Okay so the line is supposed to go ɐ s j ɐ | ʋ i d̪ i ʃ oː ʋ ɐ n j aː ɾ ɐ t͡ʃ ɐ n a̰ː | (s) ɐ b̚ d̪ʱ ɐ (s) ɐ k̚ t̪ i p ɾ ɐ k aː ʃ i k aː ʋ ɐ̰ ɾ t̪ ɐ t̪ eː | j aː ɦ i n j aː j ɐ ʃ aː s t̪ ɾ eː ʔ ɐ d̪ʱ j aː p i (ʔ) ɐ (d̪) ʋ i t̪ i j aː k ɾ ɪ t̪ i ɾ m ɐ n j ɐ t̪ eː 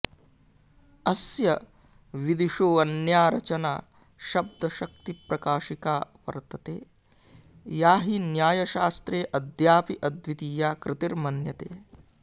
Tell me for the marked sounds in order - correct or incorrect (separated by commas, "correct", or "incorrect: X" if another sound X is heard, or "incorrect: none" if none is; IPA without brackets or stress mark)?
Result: incorrect: ʃ, incorrect: ʃ, correct, correct